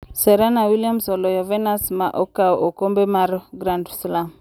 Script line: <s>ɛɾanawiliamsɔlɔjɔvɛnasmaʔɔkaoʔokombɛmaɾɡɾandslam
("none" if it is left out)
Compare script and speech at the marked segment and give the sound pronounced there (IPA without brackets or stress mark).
s